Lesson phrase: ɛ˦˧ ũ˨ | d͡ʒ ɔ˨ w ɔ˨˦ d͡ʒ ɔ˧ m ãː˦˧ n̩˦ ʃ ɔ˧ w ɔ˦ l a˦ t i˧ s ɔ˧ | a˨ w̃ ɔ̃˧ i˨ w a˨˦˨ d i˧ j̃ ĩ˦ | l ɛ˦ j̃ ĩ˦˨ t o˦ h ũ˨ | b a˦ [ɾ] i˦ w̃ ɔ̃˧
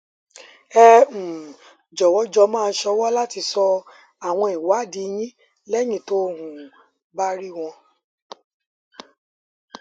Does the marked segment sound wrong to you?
no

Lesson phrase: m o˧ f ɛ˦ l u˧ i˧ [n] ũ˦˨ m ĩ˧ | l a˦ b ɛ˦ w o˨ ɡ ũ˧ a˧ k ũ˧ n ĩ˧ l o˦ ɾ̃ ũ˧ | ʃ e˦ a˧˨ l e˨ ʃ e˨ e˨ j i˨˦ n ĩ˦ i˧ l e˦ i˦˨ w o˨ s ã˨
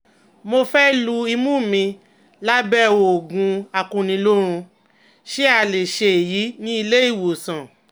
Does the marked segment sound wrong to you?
yes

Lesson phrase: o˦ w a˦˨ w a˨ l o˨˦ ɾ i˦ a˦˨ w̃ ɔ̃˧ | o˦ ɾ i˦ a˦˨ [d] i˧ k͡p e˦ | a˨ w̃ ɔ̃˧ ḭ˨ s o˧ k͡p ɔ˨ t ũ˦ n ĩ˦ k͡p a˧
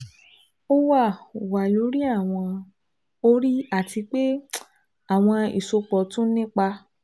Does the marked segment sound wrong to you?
yes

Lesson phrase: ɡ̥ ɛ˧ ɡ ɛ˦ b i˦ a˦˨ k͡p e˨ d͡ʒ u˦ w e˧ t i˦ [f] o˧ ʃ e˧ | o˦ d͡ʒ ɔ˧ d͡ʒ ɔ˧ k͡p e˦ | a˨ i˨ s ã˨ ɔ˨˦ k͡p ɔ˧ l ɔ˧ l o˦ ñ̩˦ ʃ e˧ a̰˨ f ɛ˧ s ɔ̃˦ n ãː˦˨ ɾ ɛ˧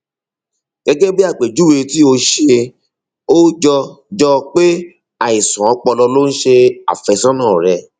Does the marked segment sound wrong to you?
yes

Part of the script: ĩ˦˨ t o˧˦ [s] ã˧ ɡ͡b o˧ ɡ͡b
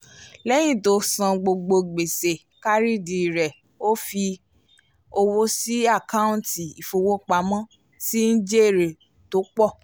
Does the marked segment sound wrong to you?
no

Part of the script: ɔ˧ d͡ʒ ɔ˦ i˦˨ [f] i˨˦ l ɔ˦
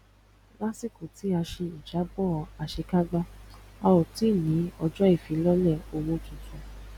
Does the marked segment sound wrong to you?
no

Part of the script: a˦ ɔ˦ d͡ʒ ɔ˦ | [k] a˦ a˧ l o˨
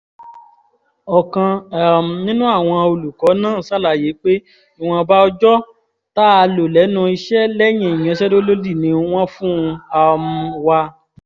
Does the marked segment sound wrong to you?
yes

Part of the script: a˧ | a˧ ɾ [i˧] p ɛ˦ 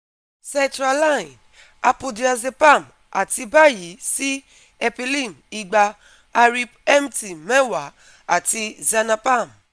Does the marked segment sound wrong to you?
no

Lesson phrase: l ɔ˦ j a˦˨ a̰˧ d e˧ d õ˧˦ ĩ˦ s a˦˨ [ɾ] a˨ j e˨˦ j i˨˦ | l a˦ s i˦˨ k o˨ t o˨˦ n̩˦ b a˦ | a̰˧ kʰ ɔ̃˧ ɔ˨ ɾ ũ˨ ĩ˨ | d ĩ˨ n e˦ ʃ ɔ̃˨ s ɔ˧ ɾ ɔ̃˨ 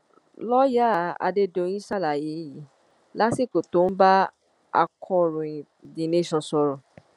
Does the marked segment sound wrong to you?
yes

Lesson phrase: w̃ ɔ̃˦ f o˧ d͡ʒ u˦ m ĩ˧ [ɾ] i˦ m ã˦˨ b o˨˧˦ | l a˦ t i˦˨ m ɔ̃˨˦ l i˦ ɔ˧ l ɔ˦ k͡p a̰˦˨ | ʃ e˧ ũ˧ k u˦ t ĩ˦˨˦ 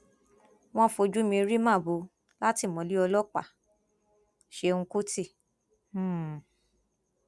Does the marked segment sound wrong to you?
no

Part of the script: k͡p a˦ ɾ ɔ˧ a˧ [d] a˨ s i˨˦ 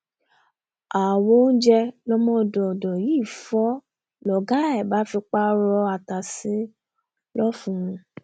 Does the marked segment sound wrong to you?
yes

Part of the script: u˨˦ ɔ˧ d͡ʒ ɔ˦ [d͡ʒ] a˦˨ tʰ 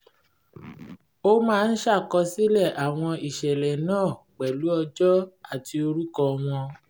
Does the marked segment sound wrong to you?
yes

